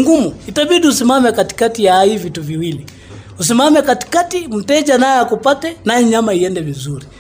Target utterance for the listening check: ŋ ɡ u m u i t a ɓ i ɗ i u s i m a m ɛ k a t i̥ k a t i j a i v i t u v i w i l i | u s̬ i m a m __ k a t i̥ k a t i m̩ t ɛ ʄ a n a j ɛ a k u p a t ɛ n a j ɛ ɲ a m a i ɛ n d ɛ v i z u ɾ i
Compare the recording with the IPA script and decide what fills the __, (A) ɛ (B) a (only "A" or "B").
A